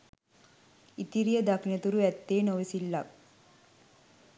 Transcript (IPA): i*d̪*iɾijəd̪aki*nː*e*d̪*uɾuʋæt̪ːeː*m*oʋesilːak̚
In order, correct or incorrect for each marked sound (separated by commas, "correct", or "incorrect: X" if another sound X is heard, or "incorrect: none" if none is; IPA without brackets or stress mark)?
incorrect: t̪, incorrect: n, incorrect: t̪, incorrect: n